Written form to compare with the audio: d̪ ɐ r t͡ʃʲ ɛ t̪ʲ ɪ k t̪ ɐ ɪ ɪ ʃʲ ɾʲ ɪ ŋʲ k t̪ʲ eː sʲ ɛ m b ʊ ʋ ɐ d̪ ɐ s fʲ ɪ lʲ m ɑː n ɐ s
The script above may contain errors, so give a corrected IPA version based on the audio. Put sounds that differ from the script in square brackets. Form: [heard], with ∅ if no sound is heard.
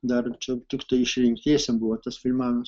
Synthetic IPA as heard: d̪ ɐ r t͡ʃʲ ɛ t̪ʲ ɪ k t̪ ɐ ɪ ɪ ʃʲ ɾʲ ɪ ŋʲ k t̪ʲ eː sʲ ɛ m b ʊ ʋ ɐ [t̪] ɐ s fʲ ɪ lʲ m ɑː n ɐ s